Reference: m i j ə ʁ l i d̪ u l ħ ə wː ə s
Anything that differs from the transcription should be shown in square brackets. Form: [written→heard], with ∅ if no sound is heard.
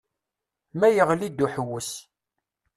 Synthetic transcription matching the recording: m [i→æ] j ə ʁ l i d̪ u [l→∅] ħ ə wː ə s